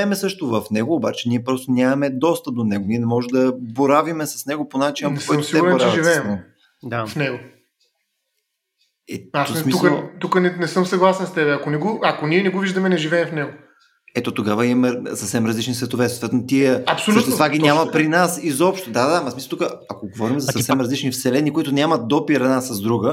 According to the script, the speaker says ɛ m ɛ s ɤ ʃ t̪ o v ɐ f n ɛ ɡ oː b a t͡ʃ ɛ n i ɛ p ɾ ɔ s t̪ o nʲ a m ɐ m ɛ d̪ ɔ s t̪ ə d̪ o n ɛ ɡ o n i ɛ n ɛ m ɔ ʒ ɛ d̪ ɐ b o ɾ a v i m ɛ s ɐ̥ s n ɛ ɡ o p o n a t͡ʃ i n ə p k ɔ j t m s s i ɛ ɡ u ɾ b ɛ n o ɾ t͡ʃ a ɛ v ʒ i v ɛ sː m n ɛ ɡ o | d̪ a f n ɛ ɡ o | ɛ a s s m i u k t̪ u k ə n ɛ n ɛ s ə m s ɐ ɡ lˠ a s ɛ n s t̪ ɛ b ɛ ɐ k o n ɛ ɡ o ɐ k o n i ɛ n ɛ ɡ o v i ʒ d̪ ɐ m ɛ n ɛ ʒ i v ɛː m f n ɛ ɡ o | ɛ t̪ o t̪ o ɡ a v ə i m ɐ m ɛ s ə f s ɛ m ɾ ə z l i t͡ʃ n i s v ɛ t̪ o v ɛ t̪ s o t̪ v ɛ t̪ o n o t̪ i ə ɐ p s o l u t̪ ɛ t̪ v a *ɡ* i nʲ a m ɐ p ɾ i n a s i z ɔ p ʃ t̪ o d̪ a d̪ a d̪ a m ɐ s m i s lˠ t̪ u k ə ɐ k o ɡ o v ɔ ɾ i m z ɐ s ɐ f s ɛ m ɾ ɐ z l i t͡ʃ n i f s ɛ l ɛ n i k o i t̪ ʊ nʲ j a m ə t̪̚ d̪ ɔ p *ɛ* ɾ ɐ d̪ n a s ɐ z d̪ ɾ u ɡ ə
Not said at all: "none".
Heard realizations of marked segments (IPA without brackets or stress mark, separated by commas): ɡ, i